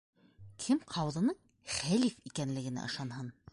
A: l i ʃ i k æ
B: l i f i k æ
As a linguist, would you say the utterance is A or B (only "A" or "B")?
B